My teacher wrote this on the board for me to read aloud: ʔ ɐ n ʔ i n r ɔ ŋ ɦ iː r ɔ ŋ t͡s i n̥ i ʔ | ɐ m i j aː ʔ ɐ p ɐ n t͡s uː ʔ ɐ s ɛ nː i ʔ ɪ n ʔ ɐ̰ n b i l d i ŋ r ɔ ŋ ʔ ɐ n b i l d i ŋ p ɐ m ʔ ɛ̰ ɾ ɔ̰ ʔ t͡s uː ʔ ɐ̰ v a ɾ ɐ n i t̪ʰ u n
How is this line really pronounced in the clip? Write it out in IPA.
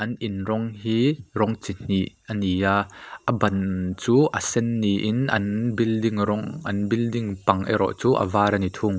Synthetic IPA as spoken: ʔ ɐ n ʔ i n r ɔ ŋ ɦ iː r ɔ ŋ t͡s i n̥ i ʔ | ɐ n i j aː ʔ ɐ b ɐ n t͡s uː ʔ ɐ s ɛ nː i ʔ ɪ n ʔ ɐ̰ n b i l d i ŋ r ɔ ŋ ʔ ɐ n b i l d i ŋ p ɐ ŋ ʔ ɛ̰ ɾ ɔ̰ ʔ t͡s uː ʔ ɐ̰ v a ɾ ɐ n i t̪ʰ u ŋ

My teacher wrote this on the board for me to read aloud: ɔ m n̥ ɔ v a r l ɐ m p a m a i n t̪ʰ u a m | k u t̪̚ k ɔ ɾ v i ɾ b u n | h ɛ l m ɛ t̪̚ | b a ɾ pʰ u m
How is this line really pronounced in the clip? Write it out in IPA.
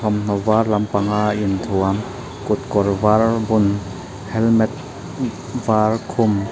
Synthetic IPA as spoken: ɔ m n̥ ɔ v a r l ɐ m p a ŋ a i n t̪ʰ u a m | k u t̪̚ k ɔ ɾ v a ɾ b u n | h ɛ l m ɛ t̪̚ | v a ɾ kʰ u m

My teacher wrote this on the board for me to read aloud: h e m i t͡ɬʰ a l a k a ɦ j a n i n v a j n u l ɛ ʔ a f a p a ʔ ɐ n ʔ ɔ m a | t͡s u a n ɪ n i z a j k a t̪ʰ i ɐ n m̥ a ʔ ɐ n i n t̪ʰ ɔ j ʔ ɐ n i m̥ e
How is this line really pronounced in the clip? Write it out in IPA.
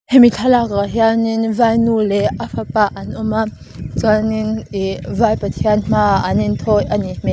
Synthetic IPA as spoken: h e m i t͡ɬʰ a l a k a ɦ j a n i n v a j n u l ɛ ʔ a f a p a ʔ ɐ n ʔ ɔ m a | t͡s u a n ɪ n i v a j p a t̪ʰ i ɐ n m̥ a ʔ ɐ n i n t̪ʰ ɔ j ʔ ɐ n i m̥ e

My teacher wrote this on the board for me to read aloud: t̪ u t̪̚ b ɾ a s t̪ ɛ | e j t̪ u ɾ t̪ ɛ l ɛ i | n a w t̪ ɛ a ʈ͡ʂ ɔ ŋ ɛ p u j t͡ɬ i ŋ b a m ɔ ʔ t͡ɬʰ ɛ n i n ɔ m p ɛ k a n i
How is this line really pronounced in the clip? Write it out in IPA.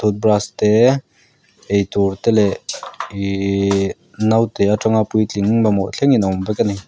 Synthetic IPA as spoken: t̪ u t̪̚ b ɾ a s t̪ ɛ | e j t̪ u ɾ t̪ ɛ l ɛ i | n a w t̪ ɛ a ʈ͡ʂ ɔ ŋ a p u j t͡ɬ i ŋ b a m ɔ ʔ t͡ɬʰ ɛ ŋ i n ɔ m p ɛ k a n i

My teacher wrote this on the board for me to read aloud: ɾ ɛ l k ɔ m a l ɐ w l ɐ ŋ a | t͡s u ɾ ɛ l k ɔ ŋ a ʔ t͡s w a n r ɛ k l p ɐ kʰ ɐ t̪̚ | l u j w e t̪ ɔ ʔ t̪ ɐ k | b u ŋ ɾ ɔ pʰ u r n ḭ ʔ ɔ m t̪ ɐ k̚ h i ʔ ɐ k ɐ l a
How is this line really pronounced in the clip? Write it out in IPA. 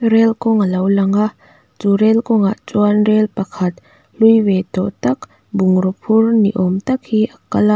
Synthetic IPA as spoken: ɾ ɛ l k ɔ ŋ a l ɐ w l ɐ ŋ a | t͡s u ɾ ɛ l k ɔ ŋ a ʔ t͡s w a n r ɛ l p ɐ kʰ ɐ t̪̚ | l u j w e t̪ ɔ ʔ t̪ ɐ k | b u ŋ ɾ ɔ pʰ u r n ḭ ʔ ɔ m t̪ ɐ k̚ h i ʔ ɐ k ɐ l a

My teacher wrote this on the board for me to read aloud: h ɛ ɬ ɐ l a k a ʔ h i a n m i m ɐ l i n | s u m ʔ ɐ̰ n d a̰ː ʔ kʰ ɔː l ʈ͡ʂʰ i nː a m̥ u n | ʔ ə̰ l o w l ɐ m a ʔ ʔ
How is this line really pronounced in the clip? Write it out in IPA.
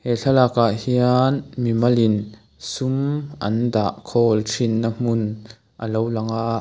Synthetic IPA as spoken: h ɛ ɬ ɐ l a k a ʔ h i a n m i m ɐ l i n | s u m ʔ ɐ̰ n d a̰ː ʔ kʰ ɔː l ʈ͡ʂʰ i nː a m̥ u n | ʔ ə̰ l o w l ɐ ŋ a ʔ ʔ

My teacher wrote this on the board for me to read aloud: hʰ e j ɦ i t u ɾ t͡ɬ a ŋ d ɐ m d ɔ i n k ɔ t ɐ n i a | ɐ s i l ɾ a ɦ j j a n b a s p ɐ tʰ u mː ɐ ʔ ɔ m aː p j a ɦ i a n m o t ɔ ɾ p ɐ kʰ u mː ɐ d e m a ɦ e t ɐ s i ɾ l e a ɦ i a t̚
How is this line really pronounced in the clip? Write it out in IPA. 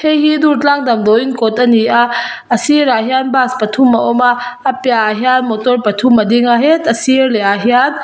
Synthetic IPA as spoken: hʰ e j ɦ i d u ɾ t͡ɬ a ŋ d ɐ m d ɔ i n k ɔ t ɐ n i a | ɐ s i ɾ a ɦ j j a n b a s p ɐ tʰ u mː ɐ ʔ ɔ m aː p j a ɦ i a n m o t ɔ ɾ p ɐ tʰ u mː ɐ d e ŋ a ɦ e t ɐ s i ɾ l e a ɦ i a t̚

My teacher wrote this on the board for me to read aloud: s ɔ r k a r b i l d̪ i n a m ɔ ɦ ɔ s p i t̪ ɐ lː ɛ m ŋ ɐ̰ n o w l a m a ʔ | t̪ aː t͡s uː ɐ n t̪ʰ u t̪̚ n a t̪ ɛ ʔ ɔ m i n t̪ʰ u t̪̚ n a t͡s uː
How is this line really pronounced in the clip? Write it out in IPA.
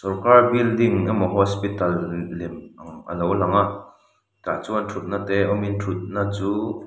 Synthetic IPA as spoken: s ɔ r k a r b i l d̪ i ŋ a m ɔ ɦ ɔ s p i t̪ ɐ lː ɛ m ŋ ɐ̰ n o w l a ŋ a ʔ | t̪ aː t͡s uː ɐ n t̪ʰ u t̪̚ n a t̪ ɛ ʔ ɔ m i n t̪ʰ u t̪̚ n a t͡s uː

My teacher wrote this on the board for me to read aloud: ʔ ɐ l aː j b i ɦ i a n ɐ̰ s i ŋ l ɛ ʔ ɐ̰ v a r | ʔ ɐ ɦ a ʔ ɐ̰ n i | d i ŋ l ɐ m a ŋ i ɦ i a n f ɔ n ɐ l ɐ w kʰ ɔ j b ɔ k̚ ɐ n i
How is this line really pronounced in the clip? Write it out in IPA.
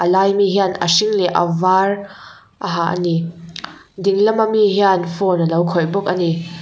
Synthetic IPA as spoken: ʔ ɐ l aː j m i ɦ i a n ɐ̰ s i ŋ l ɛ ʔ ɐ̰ v a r | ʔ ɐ ɦ a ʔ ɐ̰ n i | d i ŋ l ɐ m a m i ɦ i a n f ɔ n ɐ l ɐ w kʰ ɔ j b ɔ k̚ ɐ n i

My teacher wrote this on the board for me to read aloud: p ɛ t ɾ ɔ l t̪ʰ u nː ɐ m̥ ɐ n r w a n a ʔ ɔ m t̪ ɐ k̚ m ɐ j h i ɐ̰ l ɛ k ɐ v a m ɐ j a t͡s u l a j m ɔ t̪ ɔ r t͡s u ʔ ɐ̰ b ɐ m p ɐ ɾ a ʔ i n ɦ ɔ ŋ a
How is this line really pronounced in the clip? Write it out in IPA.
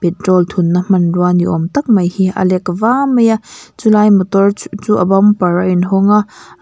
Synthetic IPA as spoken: p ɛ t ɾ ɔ l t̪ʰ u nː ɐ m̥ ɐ n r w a n i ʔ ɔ m t̪ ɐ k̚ m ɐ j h i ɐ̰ l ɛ k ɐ v a m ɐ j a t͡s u l a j m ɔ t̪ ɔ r t͡s u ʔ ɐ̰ b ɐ m p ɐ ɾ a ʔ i n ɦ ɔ ŋ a

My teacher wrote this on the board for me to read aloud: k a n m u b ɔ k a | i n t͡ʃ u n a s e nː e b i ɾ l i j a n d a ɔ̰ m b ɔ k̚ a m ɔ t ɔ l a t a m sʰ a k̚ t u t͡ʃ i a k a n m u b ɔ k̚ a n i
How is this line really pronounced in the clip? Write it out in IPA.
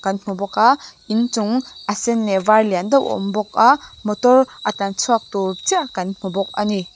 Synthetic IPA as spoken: k a n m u b ɔ k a | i n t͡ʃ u ŋ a s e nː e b a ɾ l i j a n d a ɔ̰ m b ɔ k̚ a m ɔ t ɔ ɾ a t a n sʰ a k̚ t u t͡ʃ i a k a n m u b ɔ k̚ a n i

